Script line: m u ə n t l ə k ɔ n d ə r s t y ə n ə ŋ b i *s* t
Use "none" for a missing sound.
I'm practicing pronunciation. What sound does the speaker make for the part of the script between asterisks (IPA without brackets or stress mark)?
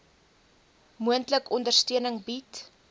none